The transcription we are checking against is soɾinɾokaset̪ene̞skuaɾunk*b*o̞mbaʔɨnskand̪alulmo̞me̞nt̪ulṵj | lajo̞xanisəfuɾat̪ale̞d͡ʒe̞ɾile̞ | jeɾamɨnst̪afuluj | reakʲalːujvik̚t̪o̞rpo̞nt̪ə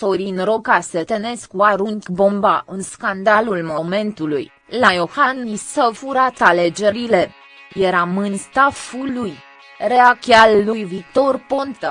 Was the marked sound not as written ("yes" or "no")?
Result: no